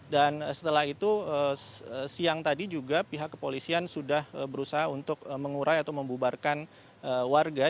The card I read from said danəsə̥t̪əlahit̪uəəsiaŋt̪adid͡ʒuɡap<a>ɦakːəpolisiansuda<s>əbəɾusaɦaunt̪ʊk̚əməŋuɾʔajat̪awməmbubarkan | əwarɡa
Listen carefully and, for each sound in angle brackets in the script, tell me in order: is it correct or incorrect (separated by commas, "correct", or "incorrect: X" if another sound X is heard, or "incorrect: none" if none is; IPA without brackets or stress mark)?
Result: incorrect: i, incorrect: h